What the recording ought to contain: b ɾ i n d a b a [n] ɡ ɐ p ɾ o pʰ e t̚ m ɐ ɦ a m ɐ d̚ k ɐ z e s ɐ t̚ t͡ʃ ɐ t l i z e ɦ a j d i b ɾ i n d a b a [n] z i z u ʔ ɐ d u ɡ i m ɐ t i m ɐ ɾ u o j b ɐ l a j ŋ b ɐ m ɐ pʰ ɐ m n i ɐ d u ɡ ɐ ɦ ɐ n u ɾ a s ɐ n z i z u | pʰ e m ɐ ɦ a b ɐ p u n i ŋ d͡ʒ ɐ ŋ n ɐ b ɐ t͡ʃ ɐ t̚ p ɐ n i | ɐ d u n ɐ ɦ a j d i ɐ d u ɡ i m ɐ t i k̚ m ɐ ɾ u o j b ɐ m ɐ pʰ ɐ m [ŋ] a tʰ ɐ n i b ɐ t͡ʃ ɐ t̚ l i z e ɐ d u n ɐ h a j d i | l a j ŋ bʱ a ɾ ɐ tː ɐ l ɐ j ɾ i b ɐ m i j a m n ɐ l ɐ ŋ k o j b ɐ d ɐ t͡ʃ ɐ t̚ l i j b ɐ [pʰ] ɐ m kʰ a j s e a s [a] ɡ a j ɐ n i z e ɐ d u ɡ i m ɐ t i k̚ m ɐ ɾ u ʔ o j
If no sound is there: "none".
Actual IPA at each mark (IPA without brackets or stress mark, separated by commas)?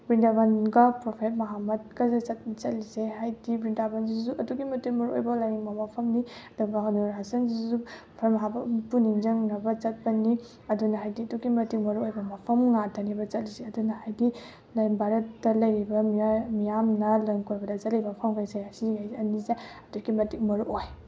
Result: n, n, ŋ, pʰ, i